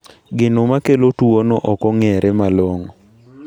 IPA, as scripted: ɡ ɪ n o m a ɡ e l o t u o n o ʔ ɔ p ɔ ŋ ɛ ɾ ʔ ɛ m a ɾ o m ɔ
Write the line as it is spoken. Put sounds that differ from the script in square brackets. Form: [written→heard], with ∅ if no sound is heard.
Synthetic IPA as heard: ɡ ɪ n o m a [ɡ→k] e l o t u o n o ʔ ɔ [p→k] ɔ ŋ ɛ ɾ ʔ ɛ m a [ɾ→l] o [m→ŋ] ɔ